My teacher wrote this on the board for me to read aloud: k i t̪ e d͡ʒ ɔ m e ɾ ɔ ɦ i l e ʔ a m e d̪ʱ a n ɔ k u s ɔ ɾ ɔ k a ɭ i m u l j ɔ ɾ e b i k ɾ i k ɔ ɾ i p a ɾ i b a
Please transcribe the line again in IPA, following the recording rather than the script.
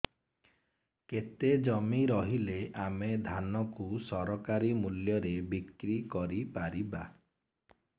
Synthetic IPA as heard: k e t̪ e d͡ʒ ɔ m i ɾ ɔ ɦ i l e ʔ a m e d̪ʱ a n ɔ k u s ɔ ɾ ɔ k a ɾ i m u l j ɔ ɾ e b i k ɾ i k ɔ ɾ i p a ɾ i b a